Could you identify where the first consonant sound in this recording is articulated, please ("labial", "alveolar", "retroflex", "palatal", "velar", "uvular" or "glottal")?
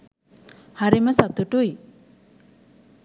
glottal